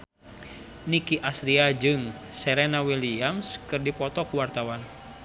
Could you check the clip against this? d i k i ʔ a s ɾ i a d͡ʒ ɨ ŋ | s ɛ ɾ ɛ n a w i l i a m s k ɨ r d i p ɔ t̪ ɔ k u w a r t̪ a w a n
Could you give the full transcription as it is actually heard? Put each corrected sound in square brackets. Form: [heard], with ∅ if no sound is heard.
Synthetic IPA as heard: [n] i k i ʔ a s ɾ i a d͡ʒ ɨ ŋ | s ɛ ɾ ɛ n a w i l i a m s k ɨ r d i p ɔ t̪ ɔ k u w a r t̪ a w a n